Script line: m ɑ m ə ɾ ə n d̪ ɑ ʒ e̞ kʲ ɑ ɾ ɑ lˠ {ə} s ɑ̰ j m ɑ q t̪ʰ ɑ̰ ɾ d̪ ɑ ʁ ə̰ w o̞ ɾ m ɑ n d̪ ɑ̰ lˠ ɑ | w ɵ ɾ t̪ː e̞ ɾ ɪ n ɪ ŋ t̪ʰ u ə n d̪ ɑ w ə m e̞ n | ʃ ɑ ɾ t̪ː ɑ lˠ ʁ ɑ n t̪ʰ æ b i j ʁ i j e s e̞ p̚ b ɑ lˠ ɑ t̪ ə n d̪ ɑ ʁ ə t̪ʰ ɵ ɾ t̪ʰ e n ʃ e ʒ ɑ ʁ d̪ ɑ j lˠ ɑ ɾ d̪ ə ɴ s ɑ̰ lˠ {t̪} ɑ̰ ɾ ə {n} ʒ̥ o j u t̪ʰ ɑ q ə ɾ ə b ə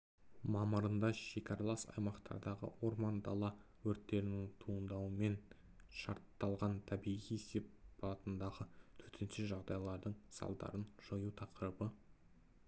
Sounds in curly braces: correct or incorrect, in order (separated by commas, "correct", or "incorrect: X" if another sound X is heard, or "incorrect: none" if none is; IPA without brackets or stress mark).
incorrect: ɑ, incorrect: d̪, correct